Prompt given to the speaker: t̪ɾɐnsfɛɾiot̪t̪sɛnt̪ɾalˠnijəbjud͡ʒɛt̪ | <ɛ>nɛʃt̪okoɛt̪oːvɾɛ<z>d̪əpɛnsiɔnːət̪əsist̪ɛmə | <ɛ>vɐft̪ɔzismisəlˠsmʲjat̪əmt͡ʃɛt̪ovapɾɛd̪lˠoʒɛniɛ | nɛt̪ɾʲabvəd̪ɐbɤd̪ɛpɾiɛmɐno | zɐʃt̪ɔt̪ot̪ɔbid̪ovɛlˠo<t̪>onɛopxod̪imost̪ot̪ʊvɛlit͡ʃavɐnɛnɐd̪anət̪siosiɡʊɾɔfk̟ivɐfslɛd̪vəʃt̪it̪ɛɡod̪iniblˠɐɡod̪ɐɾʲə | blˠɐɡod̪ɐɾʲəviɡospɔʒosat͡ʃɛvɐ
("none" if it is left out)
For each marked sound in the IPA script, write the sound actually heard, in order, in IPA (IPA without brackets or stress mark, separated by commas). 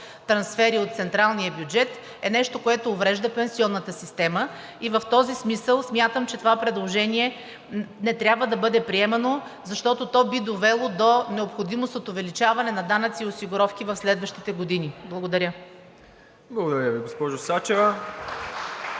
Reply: ɛ, ʒ, i, d̪